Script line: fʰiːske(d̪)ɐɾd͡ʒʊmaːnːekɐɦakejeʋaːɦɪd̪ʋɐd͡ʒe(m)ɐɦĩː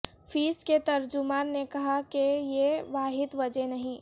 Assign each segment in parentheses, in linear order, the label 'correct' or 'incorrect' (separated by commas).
incorrect, incorrect